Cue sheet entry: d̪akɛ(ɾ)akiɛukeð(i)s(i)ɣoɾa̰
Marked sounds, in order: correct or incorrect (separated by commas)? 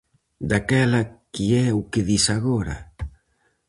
incorrect, correct, incorrect